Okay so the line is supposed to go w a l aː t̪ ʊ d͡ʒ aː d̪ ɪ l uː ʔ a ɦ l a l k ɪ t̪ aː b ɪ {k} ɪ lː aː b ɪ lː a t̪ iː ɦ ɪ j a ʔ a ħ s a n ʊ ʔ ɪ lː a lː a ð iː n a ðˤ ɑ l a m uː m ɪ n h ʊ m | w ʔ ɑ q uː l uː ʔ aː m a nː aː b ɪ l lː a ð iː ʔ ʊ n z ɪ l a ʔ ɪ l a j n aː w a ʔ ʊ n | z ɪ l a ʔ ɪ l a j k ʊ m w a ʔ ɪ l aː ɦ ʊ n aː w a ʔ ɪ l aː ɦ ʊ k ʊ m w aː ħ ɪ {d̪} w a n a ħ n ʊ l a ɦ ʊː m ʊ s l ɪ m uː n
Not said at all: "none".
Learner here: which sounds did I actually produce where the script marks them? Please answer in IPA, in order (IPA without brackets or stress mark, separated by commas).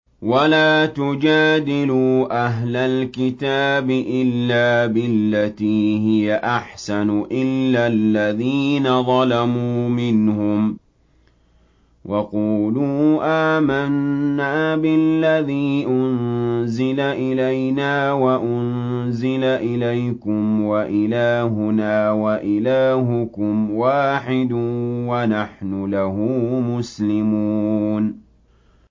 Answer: ʔ, d̪